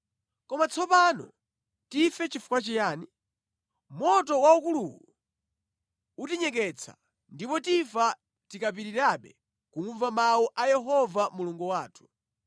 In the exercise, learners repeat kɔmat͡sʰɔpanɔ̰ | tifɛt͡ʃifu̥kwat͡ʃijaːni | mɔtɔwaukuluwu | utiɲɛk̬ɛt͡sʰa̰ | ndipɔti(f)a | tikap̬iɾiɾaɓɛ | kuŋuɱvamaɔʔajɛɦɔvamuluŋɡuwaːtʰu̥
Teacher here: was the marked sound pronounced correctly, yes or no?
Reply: yes